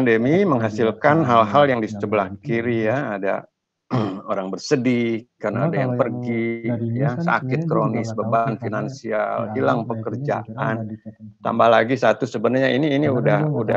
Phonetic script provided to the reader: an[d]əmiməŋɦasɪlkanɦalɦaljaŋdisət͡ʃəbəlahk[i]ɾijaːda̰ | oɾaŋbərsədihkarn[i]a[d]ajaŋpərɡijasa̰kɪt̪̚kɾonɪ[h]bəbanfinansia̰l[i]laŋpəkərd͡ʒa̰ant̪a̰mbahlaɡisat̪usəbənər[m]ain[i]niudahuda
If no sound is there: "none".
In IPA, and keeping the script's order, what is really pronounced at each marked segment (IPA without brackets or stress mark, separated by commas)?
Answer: d, i, a, d, s, i, ɲ, iː